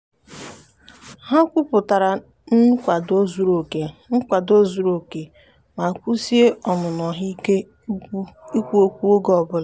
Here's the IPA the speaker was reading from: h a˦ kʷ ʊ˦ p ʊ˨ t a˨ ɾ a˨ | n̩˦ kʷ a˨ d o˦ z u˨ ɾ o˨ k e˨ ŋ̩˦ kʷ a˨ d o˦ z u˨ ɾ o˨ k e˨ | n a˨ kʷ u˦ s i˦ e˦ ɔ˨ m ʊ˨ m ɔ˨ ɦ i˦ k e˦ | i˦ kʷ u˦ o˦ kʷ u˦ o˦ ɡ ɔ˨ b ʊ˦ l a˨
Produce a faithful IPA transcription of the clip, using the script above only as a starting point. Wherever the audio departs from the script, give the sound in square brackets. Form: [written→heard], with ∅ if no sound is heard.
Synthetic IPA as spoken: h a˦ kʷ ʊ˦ p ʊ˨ t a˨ ɾ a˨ | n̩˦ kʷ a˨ d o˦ z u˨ ɾ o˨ k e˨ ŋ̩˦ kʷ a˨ d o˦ z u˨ ɾ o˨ k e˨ | [n→m] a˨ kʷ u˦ s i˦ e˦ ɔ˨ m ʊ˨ [m→n] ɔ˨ ɦ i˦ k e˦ | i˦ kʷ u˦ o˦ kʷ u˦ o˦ ɡ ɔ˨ b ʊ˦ l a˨